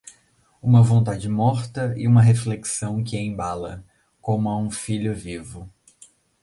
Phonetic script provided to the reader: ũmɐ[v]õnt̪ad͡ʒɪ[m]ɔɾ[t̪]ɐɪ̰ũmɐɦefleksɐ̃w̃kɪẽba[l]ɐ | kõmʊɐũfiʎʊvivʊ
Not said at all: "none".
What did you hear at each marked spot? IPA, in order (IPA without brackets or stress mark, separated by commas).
v, m, t̪, l